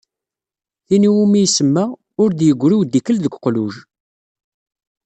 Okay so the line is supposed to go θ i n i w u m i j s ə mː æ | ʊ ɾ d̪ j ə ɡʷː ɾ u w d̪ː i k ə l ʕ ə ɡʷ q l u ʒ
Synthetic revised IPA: θ i n i w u m i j s ə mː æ | ʊ ɾ d̪ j ə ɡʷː ɾ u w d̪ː i k ə l ð ə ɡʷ q l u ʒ